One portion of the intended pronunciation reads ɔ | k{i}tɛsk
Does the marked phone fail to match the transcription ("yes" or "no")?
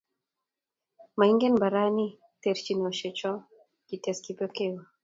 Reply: no